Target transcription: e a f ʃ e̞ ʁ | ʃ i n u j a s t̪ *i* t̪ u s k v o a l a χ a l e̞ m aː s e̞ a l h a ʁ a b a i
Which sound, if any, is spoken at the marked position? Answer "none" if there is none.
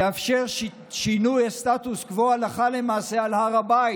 a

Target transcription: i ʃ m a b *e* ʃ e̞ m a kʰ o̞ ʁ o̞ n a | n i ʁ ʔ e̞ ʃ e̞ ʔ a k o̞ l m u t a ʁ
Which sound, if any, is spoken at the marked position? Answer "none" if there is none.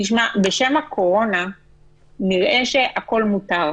e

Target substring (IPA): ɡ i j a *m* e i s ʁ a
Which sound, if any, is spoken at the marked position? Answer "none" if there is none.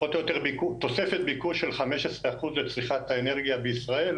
b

